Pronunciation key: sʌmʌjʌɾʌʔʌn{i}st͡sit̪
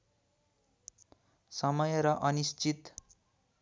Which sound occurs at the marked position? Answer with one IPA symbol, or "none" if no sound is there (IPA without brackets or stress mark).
i